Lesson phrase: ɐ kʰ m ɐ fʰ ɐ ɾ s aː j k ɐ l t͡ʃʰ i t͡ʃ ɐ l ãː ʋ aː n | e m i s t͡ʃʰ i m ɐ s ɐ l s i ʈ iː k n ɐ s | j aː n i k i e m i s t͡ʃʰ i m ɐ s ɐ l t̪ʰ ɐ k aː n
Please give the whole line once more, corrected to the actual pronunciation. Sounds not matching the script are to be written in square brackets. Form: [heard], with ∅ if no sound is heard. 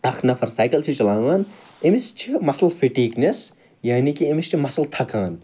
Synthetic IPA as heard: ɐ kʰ [n] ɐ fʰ ɐ ɾ s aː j k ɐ l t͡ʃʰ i t͡ʃ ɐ l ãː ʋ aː n | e m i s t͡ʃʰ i m ɐ s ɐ l [f] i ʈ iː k n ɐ s | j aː n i k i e m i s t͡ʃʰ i m ɐ s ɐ l t̪ʰ ɐ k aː n

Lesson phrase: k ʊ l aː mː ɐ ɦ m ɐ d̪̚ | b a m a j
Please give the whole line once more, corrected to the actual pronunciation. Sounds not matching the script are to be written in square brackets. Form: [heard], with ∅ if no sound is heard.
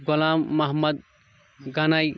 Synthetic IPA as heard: [ɡ] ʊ l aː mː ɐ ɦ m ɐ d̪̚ | [ɡ] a [n] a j

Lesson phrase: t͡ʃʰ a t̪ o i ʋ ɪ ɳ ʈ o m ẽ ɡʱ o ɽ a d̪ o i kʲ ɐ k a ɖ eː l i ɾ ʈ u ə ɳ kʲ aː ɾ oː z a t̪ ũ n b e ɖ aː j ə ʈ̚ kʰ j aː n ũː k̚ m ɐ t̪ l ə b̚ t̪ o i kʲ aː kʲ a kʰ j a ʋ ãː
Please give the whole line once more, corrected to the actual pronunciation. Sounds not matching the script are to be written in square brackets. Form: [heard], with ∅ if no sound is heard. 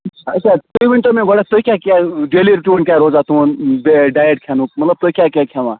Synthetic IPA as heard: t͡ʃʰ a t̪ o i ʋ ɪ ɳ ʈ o m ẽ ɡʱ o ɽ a [t̪] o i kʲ [a] k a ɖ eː l i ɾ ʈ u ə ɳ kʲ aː ɾ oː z a t̪ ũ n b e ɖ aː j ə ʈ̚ kʰ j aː n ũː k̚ m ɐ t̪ l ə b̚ t̪ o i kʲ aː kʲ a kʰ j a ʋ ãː

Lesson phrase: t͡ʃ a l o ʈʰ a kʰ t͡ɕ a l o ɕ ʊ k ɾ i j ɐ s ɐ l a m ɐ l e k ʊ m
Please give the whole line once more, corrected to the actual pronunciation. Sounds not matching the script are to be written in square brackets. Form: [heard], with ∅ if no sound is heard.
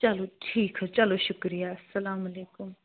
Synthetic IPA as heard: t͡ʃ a l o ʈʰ [i] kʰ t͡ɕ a l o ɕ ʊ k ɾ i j [a] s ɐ l a m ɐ l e k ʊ m

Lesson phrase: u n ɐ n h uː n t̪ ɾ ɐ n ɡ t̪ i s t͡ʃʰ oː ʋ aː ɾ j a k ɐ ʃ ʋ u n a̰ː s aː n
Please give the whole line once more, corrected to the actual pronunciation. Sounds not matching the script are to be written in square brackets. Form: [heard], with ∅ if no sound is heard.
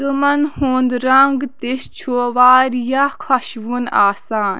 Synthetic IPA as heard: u [m] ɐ n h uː n [d̪] ɾ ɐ [ŋ] ɡ t̪ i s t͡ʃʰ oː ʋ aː ɾ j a [kʰ] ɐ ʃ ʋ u n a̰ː s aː n

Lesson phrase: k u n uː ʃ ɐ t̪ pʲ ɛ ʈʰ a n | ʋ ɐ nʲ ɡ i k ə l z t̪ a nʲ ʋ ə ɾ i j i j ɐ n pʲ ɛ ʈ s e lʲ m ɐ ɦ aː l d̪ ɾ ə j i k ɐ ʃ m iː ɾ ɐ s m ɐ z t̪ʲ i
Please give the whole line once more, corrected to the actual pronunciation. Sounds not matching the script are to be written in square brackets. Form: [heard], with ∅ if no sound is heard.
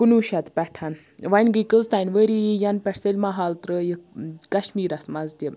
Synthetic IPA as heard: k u n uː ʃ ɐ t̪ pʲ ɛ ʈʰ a n | ʋ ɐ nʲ ɡ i k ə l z t̪ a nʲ ʋ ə ɾ i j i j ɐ n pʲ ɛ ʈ s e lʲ m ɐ ɦ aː l [t̪] ɾ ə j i k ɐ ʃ m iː ɾ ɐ s m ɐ z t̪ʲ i

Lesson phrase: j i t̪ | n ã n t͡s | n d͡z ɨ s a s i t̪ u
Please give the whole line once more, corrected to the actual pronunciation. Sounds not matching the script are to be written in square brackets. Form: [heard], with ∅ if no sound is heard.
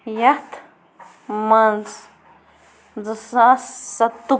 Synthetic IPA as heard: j [a] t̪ | [m] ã n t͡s | n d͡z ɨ s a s [a] t̪ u

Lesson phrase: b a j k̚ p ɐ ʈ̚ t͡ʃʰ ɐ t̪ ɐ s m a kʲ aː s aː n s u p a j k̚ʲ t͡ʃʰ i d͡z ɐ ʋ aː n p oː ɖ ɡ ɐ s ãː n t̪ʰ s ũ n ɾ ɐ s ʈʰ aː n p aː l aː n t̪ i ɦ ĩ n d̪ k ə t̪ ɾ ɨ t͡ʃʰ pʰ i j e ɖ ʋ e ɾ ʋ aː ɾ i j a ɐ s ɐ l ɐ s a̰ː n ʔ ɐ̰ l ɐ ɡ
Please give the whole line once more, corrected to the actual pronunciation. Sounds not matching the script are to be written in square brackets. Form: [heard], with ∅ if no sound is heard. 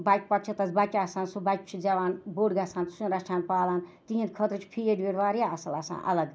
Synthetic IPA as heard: b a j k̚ p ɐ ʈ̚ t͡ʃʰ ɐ t̪ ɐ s [b] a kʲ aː s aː n s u [b] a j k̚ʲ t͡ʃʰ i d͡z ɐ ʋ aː n [b] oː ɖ ɡ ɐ s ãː n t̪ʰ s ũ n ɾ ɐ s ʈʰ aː n p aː l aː n t̪ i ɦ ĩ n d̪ [kʰ] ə t̪ ɾ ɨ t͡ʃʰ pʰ i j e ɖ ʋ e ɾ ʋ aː ɾ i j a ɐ s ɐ l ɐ s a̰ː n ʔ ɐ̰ l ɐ ɡ

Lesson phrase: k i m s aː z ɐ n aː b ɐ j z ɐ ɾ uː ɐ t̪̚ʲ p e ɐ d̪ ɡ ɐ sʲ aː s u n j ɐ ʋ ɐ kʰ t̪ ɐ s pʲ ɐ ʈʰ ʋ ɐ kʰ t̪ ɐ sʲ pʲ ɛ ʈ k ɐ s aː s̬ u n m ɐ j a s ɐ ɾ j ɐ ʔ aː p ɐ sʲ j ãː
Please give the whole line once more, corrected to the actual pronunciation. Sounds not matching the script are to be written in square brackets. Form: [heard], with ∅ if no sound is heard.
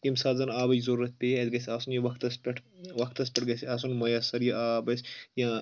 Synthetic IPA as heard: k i m s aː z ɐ n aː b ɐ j z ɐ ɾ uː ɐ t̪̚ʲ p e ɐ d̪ ɡ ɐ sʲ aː s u n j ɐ ʋ ɐ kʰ t̪ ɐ s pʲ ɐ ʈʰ ʋ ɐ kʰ t̪ ɐ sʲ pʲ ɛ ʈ [ɡ] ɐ s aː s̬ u n m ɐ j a s ɐ ɾ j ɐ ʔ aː [b] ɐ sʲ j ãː

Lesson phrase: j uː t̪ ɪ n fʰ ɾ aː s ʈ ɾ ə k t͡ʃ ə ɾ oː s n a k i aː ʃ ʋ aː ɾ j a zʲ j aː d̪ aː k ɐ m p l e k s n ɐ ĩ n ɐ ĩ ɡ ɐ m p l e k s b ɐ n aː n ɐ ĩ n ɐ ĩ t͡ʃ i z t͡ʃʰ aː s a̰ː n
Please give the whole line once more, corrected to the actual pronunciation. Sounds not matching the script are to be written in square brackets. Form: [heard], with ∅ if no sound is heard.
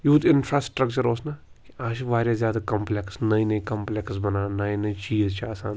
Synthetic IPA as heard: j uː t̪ ɪ n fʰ ɾ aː s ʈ ɾ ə k t͡ʃ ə ɾ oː s n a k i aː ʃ ʋ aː ɾ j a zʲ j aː d̪ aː k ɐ m p l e k s n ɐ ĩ n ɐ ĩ [k] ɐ m p l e k s b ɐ n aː n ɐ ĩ n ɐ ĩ t͡ʃ [iː] z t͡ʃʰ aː s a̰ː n

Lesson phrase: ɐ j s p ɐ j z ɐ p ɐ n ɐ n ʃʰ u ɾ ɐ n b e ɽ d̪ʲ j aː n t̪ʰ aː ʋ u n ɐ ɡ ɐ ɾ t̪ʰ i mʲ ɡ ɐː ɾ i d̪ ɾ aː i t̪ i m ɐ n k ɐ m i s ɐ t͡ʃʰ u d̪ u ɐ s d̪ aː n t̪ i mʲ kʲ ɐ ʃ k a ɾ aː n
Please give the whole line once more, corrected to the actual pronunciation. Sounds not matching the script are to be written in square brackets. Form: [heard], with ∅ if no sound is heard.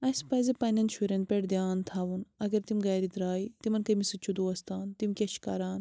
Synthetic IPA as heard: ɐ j s p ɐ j z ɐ p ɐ n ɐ n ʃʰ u ɾ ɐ n [p] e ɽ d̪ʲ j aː n t̪ʰ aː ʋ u n ɐ ɡ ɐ ɾ [t̪] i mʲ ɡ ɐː ɾ i d̪ ɾ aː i t̪ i m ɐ n k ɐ m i s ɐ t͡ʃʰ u d̪ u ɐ s [t̪] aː n t̪ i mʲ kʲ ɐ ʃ k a ɾ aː n

